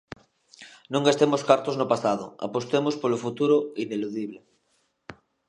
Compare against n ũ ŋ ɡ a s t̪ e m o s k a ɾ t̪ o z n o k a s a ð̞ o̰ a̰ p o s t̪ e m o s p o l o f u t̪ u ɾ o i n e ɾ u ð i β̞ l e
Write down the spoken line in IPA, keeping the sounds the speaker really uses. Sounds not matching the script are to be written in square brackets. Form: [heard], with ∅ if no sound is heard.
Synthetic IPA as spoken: n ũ ŋ ɡ a s t̪ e m o s k a ɾ t̪ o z n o [p] a s a ð̞ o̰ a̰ p o s t̪ e m o s p o l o f u t̪ u ɾ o i n e [l] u ð i β̞ l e